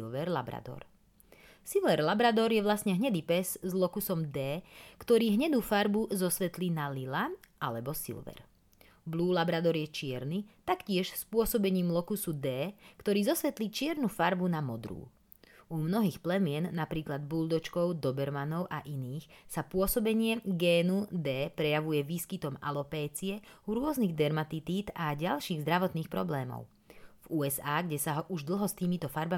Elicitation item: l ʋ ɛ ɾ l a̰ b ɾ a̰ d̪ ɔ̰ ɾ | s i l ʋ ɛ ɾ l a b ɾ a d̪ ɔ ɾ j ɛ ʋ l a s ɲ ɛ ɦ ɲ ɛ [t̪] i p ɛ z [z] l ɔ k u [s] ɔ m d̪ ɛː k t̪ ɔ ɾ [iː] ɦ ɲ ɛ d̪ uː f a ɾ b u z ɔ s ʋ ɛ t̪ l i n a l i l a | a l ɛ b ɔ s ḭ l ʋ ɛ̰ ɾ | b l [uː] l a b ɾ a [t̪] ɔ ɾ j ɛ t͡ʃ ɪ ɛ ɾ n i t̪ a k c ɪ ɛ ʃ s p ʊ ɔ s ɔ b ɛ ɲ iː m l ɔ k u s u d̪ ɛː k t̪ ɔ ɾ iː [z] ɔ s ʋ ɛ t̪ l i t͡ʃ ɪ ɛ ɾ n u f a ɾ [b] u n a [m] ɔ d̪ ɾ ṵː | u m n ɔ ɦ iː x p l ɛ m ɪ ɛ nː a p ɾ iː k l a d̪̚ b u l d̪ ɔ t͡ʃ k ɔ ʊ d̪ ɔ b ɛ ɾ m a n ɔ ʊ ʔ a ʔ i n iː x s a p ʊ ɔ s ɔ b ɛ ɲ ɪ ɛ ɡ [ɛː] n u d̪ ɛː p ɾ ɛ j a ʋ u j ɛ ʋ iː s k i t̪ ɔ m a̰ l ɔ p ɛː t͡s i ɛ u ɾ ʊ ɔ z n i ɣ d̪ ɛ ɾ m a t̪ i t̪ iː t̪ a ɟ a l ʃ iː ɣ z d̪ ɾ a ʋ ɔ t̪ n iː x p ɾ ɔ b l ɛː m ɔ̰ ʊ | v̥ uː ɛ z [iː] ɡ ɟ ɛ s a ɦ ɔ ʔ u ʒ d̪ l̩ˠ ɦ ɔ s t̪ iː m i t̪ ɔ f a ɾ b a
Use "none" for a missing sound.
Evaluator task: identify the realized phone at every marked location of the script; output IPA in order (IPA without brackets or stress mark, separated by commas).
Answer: d̪, z, s, iː, uː, d̪, z, b, m, ɛː, aː